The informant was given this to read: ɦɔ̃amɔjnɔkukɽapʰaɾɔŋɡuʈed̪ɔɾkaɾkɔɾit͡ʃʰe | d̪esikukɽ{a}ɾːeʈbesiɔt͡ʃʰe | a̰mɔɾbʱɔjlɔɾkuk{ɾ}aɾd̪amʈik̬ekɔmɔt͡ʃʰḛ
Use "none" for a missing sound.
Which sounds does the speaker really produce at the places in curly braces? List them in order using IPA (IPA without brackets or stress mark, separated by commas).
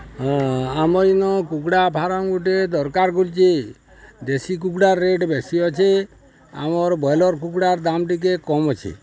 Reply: a, ɽ